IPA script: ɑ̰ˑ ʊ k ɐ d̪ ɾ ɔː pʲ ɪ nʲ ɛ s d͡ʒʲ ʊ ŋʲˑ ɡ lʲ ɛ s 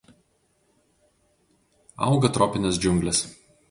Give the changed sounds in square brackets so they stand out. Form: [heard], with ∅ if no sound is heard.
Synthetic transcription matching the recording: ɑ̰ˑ ʊ [ɡ] ɐ [t̪] ɾ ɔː pʲ ɪ nʲ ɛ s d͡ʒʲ ʊ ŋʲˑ ɡ lʲ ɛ s